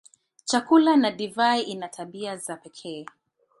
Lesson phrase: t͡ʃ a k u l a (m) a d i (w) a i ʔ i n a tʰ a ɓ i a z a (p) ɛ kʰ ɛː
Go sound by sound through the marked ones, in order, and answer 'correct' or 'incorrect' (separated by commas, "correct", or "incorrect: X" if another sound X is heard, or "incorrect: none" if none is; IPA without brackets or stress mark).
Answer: incorrect: n, incorrect: v, correct